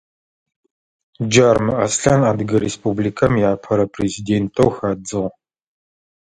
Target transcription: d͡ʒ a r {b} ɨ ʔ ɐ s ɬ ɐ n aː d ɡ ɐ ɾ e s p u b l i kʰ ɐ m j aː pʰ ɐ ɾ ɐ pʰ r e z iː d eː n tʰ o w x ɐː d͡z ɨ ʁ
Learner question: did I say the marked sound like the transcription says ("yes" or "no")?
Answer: no